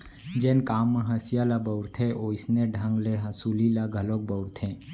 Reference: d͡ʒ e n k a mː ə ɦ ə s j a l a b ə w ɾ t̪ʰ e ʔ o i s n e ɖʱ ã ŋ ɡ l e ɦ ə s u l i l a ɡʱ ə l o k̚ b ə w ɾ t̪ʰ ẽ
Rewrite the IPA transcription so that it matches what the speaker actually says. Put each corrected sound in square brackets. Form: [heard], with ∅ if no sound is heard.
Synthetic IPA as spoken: d͡ʒ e n k a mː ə ɦ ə s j a l a b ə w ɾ t̪ʰ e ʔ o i s n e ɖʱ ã ŋ ɡ l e ɦ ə s u l i l a ɡʱ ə l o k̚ b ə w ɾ t̪ʰ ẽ